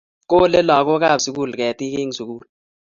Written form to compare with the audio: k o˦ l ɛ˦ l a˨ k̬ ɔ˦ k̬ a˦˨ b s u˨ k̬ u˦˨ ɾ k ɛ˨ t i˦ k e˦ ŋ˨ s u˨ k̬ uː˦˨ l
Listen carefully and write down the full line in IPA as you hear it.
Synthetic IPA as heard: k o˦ l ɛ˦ l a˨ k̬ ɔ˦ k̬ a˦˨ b s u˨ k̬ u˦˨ l k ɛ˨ t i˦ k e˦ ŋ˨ s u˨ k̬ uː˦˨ l

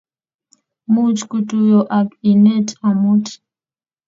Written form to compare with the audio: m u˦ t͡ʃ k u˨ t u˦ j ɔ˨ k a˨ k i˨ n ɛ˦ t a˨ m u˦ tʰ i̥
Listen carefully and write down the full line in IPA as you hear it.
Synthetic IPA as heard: m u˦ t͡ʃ k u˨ t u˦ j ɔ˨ ʔ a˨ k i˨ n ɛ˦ t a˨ m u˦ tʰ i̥

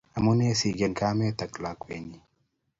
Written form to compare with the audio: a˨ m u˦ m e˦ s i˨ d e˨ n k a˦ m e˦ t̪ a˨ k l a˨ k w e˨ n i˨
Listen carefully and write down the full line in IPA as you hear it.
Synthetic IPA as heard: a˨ m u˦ n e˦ s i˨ ɡ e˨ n k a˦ m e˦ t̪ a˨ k l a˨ k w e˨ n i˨

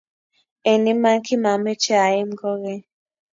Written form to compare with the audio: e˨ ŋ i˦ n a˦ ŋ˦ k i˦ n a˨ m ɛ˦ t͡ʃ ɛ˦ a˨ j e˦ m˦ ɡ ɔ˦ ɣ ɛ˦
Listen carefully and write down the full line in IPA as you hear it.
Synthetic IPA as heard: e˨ n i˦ m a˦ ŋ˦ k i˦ m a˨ m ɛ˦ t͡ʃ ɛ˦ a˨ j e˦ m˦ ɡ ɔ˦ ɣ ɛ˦

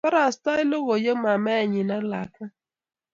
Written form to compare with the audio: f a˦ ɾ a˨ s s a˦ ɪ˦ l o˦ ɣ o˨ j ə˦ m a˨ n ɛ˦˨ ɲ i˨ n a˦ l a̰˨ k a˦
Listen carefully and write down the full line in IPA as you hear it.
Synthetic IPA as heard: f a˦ ɾ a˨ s t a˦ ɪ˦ l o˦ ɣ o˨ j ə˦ m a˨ m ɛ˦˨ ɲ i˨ n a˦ l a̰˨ k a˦

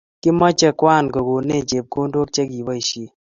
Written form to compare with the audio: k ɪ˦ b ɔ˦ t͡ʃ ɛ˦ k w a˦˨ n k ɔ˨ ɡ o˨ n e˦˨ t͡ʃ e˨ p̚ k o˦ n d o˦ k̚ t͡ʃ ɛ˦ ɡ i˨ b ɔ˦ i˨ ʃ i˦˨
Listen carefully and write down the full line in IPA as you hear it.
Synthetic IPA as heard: k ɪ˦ m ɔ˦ t͡ʃ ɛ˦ k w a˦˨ n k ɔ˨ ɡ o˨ n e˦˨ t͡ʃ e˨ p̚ k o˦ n d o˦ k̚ t͡ʃ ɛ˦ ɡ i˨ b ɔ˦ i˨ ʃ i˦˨

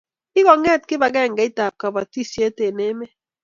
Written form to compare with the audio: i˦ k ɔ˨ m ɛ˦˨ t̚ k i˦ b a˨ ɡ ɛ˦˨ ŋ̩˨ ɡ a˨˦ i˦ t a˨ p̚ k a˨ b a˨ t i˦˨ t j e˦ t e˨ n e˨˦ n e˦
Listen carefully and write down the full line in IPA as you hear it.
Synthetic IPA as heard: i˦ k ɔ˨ ŋ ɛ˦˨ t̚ k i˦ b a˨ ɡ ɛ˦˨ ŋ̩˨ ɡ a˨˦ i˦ t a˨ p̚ k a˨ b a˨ t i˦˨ s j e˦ t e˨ n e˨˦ m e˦

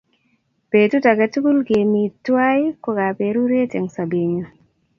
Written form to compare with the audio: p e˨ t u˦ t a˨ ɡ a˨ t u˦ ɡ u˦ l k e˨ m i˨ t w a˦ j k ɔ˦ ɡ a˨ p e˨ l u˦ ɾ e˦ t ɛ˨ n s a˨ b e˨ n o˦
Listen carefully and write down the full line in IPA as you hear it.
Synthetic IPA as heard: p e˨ t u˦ t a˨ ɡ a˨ t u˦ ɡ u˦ l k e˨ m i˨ t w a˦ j k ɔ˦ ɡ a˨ p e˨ ɾ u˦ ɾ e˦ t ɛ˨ ŋ s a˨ b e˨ ɲ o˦

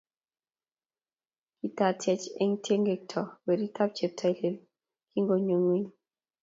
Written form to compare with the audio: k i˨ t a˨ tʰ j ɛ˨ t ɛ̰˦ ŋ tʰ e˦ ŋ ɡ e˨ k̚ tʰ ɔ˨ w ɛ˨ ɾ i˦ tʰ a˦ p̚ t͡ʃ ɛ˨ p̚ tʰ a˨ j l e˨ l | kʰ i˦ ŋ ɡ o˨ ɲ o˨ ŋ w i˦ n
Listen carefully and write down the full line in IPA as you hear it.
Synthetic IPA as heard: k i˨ t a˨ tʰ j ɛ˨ t͡ʃ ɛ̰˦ ŋ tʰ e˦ ŋ ɡ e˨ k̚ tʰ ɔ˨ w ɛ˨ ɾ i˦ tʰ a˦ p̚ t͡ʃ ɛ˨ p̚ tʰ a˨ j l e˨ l | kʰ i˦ ŋ ɡ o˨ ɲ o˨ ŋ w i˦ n

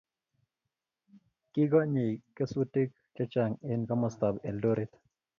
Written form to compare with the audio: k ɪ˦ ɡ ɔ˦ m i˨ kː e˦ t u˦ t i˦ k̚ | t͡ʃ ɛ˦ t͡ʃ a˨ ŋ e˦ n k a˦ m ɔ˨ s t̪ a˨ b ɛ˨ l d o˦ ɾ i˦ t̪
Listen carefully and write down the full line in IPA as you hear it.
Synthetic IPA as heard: k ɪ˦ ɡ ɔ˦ ɲ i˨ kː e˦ s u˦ t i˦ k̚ | t͡ʃ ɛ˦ t͡ʃ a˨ ŋ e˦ n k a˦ m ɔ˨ s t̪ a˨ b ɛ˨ l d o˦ ɾ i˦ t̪

